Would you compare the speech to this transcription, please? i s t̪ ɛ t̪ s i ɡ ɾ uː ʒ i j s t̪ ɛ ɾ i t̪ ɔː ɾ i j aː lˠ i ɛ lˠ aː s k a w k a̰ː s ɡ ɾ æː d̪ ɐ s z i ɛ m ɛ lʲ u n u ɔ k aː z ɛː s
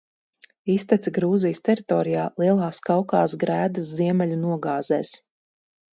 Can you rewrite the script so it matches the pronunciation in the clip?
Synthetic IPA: i s t̪ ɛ t̪ s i ɡ ɾ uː z i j s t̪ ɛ ɾ i t̪ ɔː ɾ i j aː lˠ i ɛ lˠ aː s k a w k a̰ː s ɡ ɾ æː d̪ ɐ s z i ɛ m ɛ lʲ u n u ɔ ɡ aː z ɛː s